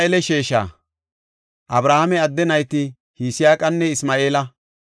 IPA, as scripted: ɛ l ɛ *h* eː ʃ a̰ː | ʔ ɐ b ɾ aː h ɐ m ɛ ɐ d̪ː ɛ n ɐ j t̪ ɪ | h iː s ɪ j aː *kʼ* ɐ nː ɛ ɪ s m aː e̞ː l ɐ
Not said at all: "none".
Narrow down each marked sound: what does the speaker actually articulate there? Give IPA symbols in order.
ʃ, kʼ

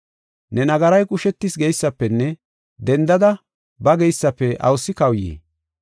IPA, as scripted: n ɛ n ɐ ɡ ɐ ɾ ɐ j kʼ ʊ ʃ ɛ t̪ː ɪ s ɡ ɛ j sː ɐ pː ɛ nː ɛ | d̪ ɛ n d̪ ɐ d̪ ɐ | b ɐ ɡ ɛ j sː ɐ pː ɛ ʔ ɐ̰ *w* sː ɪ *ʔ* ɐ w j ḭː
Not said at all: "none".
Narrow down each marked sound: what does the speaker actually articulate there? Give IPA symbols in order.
w, k

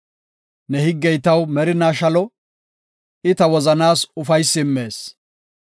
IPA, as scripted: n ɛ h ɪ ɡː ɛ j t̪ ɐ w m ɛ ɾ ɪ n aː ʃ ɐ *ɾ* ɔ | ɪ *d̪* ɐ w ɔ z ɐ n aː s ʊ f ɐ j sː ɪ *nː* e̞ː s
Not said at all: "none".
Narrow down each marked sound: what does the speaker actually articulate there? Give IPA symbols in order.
l, t̪, mː

